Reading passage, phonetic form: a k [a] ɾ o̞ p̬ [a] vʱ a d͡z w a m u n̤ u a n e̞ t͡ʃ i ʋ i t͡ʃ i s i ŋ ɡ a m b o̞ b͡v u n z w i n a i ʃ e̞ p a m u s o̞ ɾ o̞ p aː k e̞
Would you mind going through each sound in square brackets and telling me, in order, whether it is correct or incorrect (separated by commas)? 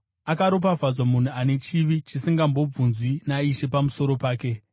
correct, correct